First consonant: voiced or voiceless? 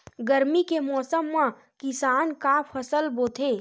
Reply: voiced